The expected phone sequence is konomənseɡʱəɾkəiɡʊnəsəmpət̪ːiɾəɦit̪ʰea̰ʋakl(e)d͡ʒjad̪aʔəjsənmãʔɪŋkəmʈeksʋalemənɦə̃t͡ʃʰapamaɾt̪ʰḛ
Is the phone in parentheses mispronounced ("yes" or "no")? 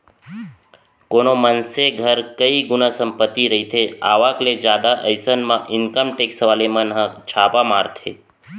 no